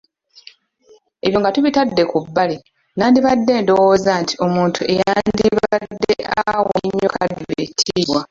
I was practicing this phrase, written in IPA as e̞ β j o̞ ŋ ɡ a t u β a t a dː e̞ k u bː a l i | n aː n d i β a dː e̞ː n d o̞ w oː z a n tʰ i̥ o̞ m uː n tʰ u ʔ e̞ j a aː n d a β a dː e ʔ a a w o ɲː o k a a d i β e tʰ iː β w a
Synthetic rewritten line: e̞ β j o̞ ŋ ɡ a t u β i t a dː e̞ k u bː a l i | n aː n d i β a dː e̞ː n d o̞ w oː z a n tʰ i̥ o̞ m uː n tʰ u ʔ e̞ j a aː n d i β a dː e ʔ a a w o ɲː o k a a d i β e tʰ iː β w a